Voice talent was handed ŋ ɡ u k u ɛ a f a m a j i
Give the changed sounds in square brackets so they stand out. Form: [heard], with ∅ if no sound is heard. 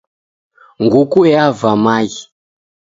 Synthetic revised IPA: ŋ ɡ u k u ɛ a [v] a m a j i